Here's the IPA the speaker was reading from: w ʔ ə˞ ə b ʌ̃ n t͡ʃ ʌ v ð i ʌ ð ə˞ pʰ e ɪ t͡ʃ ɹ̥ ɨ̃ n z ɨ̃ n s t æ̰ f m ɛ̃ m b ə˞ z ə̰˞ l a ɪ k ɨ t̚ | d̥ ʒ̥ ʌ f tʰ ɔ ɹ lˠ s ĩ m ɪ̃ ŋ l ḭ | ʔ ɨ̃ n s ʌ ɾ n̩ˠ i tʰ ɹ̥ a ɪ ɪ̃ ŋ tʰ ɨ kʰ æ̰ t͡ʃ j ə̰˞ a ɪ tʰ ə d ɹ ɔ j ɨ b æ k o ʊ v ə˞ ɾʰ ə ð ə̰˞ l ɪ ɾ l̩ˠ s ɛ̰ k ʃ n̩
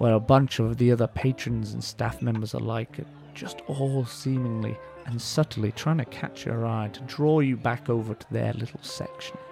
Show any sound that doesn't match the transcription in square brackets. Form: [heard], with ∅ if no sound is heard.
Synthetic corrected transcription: w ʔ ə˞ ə b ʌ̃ n t͡ʃ ʌ v ð i ʌ ð ə˞ pʰ e ɪ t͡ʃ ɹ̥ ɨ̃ n z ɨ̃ n s t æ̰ f m ɛ̃ m b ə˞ z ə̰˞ l a ɪ k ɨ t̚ | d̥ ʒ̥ ʌ [s] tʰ ɔ [∅] lˠ s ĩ m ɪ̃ ŋ l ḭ | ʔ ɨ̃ n s ʌ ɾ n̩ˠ i tʰ ɹ̥ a ɪ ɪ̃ ŋ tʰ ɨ kʰ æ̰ t͡ʃ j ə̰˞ a ɪ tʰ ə d ɹ ɔ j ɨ b æ k o ʊ v ə˞ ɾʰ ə ð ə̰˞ l ɪ ɾ l̩ˠ s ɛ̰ k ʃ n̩